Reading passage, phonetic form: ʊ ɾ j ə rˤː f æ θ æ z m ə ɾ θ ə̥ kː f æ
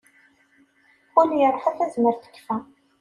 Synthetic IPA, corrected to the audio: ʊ l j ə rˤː ħ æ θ æ z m ə ɾ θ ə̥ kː f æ